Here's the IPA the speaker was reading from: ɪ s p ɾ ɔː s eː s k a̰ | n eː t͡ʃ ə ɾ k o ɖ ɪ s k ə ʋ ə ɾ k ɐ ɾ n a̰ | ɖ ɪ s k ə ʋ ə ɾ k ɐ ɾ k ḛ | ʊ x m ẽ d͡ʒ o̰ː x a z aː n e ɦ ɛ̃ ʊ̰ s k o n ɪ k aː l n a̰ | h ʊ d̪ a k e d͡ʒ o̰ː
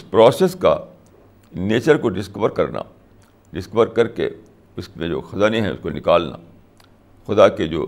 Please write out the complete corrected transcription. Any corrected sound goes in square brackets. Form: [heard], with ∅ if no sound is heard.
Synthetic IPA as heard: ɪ s p ɾ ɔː s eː s k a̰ | n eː t͡ʃ ə ɾ k o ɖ ɪ s k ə ʋ ə ɾ k ɐ ɾ n a̰ | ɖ ɪ s k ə ʋ ə ɾ k ɐ ɾ k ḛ | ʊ [s] m ẽ d͡ʒ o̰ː x [ɐ] z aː n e ɦ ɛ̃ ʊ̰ s k o n ɪ k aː l n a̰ | [x] ʊ d̪ a k e d͡ʒ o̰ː